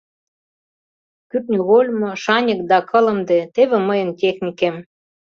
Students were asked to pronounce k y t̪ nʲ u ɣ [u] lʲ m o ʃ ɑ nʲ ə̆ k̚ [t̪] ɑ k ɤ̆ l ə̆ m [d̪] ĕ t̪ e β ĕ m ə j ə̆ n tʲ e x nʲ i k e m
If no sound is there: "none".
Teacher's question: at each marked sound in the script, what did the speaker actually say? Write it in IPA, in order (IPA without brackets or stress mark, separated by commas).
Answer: o, d̪, d̪